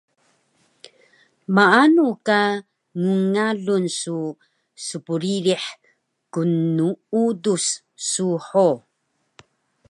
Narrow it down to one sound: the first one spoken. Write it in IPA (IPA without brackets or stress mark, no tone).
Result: m